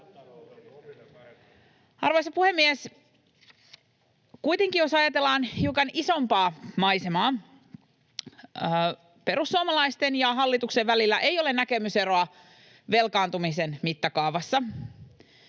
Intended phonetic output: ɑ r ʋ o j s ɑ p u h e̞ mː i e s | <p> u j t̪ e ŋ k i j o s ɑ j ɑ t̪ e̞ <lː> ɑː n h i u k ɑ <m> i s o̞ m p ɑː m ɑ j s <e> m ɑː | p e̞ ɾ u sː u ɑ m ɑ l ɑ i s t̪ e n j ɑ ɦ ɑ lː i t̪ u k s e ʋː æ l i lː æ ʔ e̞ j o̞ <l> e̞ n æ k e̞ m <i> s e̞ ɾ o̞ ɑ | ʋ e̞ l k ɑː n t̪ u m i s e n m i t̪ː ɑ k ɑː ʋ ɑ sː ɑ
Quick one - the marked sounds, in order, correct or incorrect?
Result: incorrect: k, correct, incorrect: n, correct, correct, incorrect: y

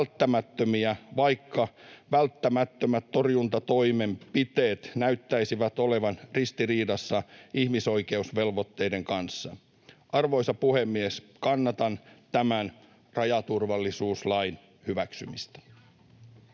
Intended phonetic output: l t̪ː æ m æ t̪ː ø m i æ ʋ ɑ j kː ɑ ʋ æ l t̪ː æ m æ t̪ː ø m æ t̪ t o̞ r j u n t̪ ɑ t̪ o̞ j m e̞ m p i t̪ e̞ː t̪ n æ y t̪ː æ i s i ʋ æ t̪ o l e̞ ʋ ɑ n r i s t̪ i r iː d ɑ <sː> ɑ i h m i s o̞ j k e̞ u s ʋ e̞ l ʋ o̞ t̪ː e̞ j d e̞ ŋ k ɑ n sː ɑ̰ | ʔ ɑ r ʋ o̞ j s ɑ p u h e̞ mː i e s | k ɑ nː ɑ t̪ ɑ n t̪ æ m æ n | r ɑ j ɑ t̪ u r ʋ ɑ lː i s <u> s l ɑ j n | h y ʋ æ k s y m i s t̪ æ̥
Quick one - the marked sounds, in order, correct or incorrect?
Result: correct, incorrect: uː

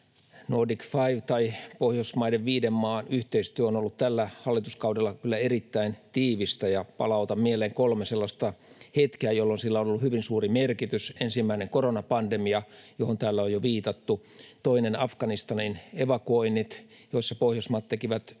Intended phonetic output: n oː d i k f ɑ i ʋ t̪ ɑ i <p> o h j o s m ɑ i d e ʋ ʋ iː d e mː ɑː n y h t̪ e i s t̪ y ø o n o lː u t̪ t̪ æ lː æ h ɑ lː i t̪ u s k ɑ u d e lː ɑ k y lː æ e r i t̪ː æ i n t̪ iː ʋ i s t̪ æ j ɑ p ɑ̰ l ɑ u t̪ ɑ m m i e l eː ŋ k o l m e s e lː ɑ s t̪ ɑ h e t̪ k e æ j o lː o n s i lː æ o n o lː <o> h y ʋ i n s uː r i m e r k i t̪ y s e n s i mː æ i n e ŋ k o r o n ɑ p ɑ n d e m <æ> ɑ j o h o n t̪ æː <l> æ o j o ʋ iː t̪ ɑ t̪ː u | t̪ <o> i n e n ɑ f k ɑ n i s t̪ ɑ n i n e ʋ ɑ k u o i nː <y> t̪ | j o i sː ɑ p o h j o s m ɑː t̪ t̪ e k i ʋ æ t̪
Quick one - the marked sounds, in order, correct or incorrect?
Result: correct, incorrect: u, incorrect: i, incorrect: lː, correct, incorrect: i

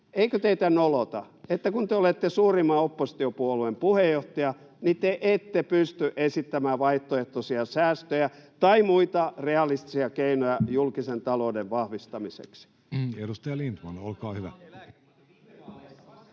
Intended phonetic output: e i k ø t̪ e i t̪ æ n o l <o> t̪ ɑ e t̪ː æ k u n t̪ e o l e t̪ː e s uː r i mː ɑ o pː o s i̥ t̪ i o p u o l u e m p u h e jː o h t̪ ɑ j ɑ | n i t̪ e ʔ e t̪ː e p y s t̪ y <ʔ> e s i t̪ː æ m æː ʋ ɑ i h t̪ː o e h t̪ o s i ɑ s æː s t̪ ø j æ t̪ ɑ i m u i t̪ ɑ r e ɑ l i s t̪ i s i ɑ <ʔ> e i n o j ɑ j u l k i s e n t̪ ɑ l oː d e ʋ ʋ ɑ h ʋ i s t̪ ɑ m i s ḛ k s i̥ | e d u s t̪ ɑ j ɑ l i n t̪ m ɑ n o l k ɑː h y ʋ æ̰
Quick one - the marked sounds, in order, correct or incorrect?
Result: correct, correct, incorrect: k

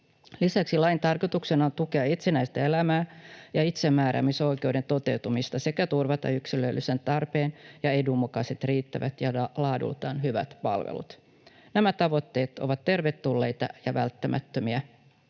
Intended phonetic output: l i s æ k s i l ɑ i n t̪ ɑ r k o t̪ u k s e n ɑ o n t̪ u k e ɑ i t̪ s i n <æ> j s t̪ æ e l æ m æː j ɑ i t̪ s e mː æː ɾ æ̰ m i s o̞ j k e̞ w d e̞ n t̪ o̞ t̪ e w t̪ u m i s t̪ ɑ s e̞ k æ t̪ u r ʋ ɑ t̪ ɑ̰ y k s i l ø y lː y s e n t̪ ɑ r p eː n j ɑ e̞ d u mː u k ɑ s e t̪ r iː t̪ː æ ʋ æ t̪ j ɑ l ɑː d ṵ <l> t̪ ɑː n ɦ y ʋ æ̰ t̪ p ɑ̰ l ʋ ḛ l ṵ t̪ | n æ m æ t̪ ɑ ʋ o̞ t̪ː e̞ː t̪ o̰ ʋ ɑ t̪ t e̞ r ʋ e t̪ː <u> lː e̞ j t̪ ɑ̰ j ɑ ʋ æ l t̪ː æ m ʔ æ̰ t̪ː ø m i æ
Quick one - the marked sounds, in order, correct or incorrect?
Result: correct, correct, correct

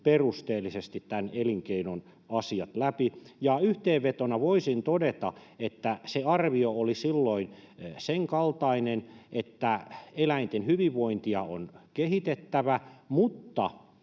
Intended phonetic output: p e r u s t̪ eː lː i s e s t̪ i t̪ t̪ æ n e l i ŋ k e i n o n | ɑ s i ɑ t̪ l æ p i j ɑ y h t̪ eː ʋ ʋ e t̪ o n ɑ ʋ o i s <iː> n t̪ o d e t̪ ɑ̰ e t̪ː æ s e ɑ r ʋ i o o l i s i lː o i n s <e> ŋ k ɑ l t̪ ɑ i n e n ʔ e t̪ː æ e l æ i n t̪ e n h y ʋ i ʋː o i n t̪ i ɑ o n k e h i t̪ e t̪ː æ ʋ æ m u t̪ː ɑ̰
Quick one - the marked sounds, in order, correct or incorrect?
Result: incorrect: i, correct

